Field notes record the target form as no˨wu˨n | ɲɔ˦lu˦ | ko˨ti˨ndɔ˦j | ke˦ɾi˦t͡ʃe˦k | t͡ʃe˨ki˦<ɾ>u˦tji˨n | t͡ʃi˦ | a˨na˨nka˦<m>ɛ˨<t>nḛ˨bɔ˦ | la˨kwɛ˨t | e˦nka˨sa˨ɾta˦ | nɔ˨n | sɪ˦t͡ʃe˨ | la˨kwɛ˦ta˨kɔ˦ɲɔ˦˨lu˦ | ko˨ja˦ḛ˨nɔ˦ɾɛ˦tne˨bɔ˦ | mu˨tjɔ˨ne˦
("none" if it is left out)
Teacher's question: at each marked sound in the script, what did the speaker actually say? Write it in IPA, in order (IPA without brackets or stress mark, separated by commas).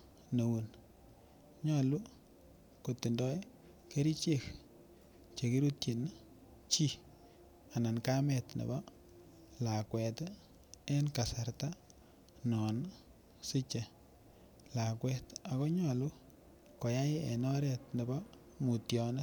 ɾ, m, t